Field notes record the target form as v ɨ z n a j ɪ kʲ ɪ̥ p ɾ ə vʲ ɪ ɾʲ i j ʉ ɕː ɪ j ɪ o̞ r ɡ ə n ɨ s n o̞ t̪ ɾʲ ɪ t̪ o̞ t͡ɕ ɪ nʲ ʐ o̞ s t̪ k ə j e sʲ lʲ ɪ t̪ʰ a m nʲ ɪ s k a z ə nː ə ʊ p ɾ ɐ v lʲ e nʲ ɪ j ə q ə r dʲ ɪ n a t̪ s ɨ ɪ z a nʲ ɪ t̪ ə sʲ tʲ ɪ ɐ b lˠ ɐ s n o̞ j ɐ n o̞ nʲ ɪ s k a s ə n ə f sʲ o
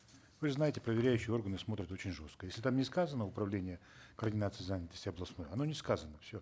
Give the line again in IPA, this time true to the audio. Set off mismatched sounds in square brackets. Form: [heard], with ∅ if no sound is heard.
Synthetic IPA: v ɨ z n a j ɪ [tʲ] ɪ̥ p ɾ ə vʲ ɪ ɾʲ [æ] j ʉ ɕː ɪ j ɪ o̞ r ɡ ə n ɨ s [m] o̞ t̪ ɾʲ ɪ t̪ o̞ t͡ɕ ɪ nʲ ʐ o̞ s t̪ k ə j e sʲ lʲ ɪ [t̪] a m nʲ ɪ s k a z ə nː ə ʊ p ɾ ɐ v lʲ e nʲ ɪ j ə [k] ə r dʲ ɪ n a t̪ s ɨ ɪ z a nʲ ɪ t̪ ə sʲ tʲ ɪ ɐ b lˠ ɐ s n o̞ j ɐ n o̞ nʲ ɪ s k a [z] ə n ə f sʲ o